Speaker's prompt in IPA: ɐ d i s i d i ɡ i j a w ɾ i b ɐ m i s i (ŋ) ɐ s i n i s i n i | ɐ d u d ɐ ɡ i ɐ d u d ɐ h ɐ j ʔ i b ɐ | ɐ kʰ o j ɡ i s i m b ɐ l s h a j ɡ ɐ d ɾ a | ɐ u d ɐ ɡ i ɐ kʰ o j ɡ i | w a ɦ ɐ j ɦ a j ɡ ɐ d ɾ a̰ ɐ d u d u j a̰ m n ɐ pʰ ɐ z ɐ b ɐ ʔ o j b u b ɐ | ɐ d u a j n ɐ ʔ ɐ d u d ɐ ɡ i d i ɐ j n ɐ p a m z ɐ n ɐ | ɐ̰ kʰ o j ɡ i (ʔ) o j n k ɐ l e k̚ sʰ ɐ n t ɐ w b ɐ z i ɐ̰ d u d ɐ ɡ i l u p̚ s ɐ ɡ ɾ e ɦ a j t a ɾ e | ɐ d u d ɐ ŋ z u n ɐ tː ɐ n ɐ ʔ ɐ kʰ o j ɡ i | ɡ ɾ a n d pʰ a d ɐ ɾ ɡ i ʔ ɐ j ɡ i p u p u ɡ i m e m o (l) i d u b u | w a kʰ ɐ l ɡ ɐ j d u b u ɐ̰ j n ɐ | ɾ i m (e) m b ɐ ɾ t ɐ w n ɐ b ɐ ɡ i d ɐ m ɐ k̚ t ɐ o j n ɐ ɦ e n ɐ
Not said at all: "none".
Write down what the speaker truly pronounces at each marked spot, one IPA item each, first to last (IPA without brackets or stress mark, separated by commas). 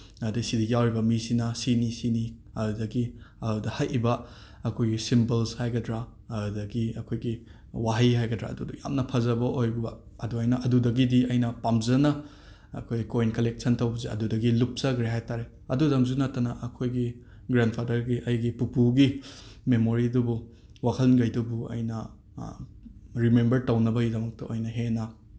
n, k, ɾ, e